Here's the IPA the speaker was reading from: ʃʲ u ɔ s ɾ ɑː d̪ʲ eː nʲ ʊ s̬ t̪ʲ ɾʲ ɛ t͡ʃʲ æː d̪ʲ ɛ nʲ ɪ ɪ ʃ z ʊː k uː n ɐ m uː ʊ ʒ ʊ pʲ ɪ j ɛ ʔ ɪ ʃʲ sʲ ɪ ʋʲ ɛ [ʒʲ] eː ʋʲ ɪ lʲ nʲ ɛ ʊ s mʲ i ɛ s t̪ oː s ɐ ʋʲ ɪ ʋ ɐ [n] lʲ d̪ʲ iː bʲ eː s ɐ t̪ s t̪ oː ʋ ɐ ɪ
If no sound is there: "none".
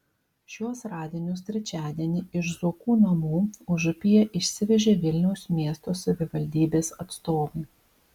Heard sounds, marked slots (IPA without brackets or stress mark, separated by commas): ʒʲ, none